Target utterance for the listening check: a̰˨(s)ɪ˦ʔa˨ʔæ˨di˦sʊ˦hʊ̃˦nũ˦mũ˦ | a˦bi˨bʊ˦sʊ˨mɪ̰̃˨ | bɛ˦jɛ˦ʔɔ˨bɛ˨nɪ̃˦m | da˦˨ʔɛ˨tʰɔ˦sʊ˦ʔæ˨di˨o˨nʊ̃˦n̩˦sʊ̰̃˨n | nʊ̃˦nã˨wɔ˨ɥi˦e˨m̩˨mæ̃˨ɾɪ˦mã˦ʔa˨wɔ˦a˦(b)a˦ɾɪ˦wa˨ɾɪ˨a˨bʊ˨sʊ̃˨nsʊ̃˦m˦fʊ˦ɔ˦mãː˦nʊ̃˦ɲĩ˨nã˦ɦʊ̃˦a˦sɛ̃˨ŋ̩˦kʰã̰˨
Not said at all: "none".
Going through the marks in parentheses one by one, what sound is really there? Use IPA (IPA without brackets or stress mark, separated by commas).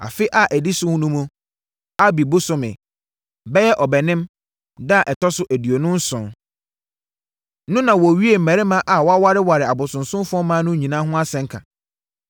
f, w